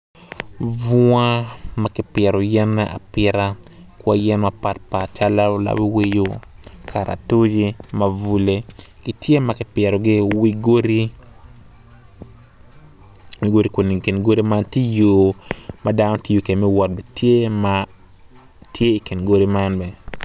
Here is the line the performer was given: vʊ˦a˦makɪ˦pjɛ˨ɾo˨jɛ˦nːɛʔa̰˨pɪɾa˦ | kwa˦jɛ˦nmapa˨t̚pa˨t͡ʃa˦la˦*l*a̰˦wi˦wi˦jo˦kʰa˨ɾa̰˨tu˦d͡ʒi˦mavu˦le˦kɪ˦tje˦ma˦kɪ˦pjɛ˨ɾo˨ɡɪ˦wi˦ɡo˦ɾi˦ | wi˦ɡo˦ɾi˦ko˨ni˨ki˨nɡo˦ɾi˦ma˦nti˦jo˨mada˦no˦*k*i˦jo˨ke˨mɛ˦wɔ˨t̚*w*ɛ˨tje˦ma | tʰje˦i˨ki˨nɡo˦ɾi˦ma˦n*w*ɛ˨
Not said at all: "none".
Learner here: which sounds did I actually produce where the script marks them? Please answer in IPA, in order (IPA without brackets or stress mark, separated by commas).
l, t, b, b